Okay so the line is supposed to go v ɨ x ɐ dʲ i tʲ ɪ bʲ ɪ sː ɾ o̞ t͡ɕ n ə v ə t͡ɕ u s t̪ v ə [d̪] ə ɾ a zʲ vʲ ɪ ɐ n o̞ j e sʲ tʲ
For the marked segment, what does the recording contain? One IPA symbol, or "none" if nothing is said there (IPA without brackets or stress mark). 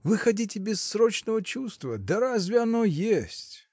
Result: d̪